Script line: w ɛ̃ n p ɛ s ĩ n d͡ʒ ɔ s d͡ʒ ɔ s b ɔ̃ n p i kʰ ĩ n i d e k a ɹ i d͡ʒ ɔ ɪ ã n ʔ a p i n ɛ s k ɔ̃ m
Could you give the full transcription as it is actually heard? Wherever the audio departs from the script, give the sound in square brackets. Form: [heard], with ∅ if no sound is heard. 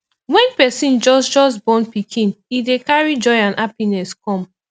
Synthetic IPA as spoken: w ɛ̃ n p ɛ s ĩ n d͡ʒ ɔ s d͡ʒ ɔ s b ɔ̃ n p i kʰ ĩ n i d e k a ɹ i d͡ʒ ɔ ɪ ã n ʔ a p i n ɛ s k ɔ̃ m